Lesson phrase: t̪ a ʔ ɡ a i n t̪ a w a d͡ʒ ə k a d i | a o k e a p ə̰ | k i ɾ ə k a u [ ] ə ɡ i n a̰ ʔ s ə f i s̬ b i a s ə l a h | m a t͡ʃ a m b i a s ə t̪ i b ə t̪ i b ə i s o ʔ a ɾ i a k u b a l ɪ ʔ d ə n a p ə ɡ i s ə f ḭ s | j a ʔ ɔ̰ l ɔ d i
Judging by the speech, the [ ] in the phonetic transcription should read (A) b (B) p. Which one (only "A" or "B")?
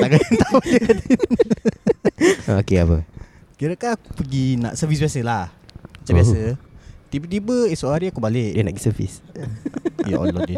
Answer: B